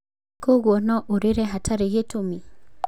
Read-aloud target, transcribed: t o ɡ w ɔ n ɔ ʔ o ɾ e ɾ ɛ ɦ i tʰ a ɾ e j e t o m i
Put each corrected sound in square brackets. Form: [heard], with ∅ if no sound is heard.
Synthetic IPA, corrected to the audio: [k] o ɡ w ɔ n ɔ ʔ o ɾ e ɾ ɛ ɦ [a] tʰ a ɾ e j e t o m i